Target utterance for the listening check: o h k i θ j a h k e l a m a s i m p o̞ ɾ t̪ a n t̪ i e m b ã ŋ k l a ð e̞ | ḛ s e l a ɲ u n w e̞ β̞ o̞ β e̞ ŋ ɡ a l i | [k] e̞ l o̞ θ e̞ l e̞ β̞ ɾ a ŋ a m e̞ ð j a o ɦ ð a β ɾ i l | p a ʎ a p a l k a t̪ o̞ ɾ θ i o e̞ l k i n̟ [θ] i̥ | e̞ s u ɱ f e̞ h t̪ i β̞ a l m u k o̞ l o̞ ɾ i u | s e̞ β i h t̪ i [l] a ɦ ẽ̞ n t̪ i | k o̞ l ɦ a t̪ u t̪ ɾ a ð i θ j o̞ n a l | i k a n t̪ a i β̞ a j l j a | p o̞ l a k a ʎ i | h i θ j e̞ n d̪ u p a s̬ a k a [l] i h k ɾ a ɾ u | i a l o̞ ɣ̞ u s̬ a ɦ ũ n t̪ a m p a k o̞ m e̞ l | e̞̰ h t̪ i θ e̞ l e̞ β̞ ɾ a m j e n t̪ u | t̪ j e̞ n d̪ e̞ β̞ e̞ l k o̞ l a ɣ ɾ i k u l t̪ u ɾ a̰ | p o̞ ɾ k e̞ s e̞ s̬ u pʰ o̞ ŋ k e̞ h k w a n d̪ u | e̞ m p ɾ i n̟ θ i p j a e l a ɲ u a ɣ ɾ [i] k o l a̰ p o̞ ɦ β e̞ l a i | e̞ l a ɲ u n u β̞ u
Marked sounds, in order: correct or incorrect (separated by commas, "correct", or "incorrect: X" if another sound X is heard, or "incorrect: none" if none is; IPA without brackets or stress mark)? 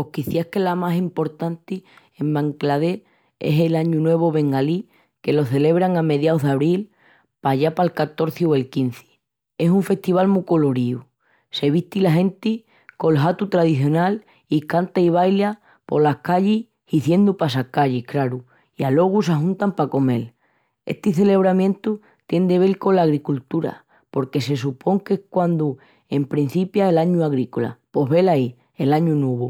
correct, correct, correct, incorrect: ʎ, correct